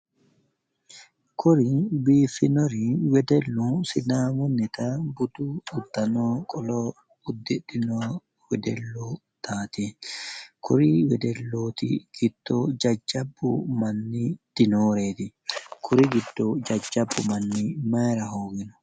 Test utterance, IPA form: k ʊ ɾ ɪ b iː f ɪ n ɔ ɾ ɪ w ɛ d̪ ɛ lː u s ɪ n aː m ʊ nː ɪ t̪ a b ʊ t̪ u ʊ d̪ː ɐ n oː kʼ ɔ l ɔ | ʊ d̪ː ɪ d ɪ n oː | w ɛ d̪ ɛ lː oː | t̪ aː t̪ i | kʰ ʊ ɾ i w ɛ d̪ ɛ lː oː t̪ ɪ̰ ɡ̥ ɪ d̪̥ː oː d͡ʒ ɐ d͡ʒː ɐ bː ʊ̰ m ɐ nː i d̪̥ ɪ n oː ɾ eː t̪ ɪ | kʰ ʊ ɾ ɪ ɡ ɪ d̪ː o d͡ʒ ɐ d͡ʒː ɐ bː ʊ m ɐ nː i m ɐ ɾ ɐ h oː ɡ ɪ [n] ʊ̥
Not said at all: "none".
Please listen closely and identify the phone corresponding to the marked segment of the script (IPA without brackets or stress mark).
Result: n